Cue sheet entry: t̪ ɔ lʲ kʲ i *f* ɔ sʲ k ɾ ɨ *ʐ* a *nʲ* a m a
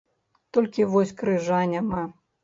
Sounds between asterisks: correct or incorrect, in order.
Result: incorrect: v, correct, correct

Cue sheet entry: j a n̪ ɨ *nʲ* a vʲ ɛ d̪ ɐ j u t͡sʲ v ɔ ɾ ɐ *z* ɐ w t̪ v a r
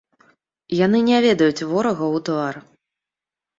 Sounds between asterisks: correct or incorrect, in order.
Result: correct, incorrect: ɣ

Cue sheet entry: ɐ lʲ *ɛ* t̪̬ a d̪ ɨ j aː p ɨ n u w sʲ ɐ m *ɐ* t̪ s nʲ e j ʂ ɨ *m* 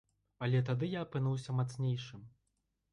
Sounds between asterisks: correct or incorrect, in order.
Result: correct, incorrect: a, correct

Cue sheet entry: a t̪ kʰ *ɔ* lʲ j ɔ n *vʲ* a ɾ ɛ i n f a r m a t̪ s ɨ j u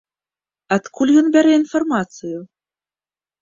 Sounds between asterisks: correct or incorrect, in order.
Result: incorrect: u, incorrect: bʲ

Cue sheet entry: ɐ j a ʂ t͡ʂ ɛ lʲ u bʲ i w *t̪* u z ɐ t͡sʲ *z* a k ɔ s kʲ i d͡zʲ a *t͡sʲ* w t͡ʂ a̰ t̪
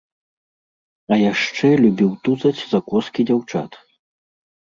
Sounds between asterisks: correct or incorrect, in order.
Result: correct, correct, incorrect: none

